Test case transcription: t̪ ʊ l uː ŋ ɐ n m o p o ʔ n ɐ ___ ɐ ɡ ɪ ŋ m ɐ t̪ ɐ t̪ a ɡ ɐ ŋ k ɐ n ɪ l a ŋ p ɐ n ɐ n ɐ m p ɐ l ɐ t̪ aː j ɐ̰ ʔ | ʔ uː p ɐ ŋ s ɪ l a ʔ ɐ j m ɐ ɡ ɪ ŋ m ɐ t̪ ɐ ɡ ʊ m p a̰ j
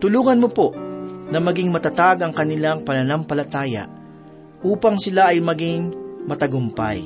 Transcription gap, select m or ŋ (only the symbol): m